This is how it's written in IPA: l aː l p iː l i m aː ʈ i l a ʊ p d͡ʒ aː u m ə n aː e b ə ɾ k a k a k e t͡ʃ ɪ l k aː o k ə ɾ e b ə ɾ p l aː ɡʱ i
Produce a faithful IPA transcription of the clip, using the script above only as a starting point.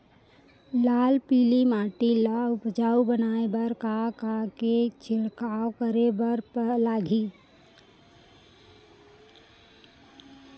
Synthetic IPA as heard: l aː l p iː l i m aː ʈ i l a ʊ p d͡ʒ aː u b ə n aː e b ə ɾ k a k a k e t͡ʃ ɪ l k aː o k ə ɾ e b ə ɾ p l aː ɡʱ i